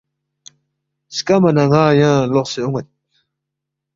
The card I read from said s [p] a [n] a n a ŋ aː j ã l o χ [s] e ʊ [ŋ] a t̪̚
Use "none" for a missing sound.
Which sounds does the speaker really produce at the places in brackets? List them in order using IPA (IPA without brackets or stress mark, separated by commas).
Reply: k, m, s, ŋ